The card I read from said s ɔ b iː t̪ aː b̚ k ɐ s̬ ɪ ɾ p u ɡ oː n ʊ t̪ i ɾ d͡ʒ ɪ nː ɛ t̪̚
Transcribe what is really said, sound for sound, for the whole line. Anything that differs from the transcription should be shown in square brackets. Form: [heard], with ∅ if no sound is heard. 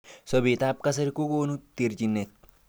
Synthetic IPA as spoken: s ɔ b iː t̪ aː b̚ k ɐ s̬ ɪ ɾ [k] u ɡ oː n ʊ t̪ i ɾ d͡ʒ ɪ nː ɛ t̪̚